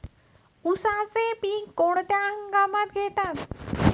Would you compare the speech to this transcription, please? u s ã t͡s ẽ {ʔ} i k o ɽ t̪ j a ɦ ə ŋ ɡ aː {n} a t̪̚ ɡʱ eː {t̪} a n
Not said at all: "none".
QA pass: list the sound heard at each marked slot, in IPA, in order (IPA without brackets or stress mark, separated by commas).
p, m, t̪